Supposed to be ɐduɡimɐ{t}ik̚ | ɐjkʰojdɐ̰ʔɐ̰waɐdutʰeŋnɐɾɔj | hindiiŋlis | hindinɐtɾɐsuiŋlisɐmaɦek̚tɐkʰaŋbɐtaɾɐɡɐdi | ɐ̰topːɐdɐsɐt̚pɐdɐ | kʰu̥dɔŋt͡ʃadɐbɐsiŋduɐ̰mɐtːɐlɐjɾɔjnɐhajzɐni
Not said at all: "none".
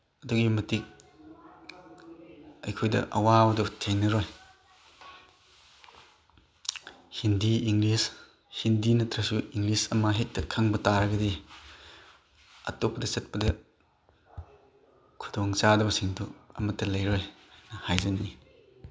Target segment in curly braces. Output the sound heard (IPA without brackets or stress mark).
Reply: t